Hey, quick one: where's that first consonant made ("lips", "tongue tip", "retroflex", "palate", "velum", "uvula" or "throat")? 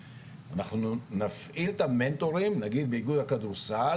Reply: tongue tip